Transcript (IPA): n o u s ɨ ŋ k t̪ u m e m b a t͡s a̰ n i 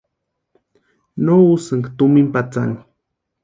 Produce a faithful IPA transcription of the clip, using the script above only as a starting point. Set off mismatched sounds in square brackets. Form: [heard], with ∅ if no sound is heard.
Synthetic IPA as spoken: n o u s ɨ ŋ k t̪ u m [i] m [p] a t͡s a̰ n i